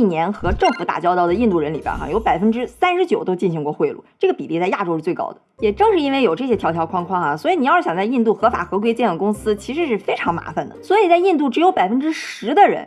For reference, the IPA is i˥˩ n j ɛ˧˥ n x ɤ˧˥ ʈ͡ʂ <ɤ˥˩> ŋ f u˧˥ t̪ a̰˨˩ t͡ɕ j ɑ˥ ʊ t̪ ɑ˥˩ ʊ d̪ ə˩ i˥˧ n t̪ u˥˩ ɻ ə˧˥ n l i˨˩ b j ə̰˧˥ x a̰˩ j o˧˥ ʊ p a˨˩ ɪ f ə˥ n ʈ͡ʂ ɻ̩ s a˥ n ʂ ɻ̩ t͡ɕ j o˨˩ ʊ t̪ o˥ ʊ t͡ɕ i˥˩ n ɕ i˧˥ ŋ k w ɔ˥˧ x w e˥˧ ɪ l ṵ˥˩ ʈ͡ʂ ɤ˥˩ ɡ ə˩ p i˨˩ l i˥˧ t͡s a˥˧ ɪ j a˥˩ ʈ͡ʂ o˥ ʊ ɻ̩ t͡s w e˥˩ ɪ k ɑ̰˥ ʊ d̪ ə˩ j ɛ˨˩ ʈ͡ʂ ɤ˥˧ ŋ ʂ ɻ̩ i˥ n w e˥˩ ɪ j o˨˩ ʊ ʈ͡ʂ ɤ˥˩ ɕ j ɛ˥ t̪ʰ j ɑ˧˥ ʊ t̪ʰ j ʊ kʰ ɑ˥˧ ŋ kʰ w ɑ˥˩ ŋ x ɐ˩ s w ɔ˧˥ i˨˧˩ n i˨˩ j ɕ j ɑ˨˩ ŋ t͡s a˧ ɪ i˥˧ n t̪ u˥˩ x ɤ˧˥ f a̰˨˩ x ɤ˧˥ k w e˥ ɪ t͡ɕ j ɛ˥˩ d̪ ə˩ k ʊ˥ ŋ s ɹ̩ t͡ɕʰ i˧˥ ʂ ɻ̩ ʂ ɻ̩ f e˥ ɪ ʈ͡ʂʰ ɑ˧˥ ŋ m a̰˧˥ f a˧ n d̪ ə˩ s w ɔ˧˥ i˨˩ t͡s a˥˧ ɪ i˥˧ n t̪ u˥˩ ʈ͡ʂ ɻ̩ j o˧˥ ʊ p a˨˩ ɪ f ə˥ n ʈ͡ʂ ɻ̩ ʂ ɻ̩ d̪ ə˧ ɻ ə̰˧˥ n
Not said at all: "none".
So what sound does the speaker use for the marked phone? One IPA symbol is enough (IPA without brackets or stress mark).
ɤ˥˩